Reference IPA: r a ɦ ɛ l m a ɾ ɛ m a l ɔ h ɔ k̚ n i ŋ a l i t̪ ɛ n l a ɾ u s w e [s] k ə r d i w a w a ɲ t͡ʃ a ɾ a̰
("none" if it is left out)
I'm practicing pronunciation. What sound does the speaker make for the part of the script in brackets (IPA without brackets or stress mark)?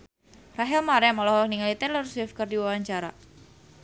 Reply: f